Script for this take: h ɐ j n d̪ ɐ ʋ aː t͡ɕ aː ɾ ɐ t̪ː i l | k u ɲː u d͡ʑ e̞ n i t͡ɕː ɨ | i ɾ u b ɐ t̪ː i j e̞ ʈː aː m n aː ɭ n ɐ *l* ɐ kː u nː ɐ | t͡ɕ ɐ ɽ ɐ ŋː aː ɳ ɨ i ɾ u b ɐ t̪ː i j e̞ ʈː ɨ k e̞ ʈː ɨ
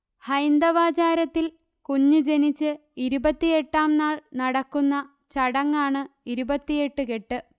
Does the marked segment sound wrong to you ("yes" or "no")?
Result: yes